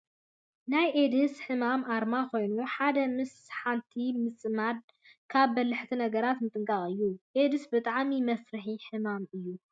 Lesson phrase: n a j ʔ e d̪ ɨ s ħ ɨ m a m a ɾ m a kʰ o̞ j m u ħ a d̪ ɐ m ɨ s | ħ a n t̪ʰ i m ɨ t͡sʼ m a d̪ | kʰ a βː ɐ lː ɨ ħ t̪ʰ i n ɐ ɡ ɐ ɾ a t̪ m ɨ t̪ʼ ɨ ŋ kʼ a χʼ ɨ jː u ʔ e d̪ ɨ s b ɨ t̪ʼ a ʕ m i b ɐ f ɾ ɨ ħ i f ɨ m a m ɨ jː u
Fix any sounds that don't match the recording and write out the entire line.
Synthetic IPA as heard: n a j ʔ e d̪ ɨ s ħ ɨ m a m a ɾ m a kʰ o̞ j n u ħ a d̪ ɐ m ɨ s | ħ a n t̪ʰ i m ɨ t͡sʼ m a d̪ | kʰ a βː ɐ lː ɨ ħ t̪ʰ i n ɐ ɡ ɐ ɾ a t̪ m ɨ t̪ʼ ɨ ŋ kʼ a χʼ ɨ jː u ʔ e d̪ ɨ s b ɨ t̪ʼ a ʕ m i m ɐ f ɾ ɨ ħ i ħ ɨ m a m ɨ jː u

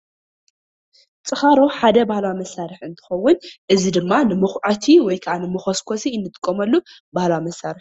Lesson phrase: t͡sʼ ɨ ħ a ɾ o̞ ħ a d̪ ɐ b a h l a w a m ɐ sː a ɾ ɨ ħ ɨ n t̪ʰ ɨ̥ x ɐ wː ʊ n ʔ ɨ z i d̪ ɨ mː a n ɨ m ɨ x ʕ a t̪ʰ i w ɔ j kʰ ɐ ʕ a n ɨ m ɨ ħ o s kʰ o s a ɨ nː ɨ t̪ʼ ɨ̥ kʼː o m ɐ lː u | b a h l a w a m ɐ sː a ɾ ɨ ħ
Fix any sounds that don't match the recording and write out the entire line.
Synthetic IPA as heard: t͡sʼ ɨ x a ɾ o̞ ħ a d̪ ɐ b a h l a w a m ɐ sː a ɾ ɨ ħ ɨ n t̪ʰ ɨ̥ x ɐ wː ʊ n ʔ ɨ z i d̪ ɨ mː a n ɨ m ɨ x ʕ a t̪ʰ i w ɔ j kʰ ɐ ʕ a n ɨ m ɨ x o s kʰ o s i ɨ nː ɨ t̪ʼ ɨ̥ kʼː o m ɐ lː u | b a h l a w a m ɐ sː a ɾ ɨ ħ

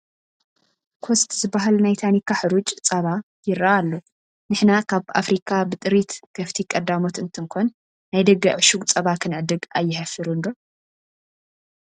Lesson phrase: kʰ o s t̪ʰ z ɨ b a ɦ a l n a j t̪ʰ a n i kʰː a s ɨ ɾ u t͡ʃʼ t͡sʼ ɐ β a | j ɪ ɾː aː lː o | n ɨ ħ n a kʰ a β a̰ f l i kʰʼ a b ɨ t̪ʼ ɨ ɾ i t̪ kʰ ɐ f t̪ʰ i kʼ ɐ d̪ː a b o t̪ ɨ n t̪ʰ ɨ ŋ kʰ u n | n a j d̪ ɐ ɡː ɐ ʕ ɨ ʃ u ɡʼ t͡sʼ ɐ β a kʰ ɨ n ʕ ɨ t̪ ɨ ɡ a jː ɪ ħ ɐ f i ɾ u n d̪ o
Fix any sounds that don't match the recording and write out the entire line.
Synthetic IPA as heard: kʰ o s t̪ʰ z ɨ b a ɦ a l n a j t̪ʰ a n i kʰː a ħ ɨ ɾ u t͡ʃʼ t͡sʼ ɐ β a | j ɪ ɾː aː lː o | n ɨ ħ n a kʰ a β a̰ f ɾ i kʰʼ a b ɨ t̪ʼ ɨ ɾ i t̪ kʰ ɐ f t̪ʰ i kʼ ɐ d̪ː a m o t̪ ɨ n t̪ʰ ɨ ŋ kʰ o n | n a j d̪ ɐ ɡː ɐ ʕ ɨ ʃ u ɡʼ t͡sʼ ɐ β a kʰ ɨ n ʕ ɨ d̪ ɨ ɡ a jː ɪ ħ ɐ f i ɾ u n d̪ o

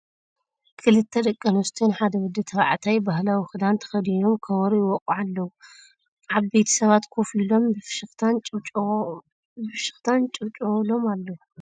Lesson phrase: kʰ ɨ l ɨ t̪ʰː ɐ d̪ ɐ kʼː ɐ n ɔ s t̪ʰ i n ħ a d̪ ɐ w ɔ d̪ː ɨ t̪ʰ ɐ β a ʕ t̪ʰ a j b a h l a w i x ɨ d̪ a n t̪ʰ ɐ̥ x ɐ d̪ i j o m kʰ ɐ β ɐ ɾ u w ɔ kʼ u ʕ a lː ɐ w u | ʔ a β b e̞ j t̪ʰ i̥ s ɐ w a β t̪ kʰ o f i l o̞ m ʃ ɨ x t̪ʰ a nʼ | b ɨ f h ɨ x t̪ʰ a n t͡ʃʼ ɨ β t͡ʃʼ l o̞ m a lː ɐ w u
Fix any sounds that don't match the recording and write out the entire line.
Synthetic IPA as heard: kʰ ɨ l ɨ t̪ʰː ɐ d̪ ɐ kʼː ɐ n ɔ s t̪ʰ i n ħ a d̪ ɐ w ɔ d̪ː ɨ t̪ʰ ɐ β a ʕ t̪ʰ a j b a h l a w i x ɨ d̪ a n t̪ʰ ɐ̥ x ɐ d̪ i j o m kʰ ɐ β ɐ ɾ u w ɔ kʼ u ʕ a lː ɐ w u | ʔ a β b e̞ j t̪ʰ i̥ s ɐ β a t̪ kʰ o f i l o̞ m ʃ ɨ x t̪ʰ a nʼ | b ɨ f ʃ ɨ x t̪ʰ a n t͡ʃʼ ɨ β t͡ʃʼ l o̞ m a lː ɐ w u

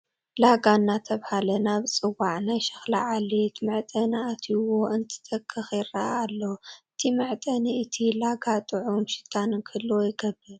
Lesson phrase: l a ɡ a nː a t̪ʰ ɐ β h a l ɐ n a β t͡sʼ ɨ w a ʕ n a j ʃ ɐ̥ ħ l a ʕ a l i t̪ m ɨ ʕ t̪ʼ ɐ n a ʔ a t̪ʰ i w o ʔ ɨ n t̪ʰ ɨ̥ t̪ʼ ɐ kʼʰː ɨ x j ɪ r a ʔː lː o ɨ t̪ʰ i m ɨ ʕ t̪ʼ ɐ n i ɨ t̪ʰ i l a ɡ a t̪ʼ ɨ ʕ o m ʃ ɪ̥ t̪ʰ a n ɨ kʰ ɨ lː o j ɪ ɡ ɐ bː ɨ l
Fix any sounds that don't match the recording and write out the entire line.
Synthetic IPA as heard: l a ɡ a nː a t̪ʰ ɐ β h a l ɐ n a β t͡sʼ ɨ w a ʕ n a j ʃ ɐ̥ x l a ʕ a l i t̪ m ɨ ʕ t̪ʼ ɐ n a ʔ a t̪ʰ i w o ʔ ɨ n t̪ʰ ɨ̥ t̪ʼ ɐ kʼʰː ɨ x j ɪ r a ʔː lː o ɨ t̪ʰ i m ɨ ʕ t̪ʼ ɐ n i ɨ t̪ʰ i l a ɡ a t̪ʼ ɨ ʕ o m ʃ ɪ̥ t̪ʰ a n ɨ kʰ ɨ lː o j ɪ ɡ ɐ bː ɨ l

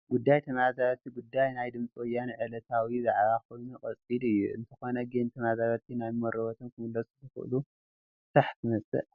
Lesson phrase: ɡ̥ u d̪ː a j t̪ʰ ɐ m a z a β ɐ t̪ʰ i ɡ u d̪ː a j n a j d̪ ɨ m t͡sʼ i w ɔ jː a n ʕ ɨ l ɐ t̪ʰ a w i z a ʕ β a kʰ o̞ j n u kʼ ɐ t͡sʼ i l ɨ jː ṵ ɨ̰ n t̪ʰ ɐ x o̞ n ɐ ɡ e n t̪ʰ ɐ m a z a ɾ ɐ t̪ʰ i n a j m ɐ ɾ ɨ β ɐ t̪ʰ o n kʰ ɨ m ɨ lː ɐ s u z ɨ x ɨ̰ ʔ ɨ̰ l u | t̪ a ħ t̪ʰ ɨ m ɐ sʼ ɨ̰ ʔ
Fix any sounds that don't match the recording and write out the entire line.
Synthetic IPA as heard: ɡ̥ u d̪ː a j t̪ʰ ɐ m a z a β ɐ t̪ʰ i ɡ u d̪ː a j n a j d̪ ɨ m t͡sʼ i w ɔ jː a n ʕ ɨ l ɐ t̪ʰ a w i z a ʕ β a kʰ o̞ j n u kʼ ɐ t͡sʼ i l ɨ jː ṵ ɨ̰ n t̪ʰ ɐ x o̞ n ɐ ɡ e n t̪ʰ ɐ m a z a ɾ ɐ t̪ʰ i n a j m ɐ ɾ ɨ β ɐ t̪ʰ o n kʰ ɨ m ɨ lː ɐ s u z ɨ x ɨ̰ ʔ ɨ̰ l u | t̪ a ħ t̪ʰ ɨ m ɐ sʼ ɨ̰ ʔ

